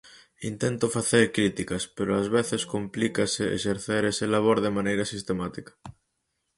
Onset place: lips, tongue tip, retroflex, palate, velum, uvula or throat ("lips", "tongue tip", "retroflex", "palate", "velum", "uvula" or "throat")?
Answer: tongue tip